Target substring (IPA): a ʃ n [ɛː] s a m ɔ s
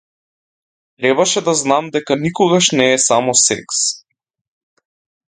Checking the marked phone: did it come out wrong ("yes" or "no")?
no